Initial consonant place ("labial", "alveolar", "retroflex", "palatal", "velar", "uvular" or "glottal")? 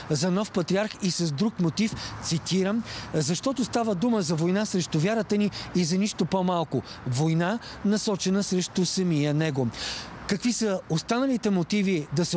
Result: alveolar